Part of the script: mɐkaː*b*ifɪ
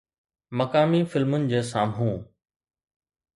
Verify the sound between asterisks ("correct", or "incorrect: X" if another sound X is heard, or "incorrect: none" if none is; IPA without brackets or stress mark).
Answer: incorrect: m